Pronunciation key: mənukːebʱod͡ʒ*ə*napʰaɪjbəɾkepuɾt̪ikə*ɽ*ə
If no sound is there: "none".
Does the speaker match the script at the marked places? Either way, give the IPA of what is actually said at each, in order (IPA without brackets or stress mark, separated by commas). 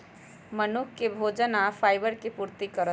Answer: ə, ɾ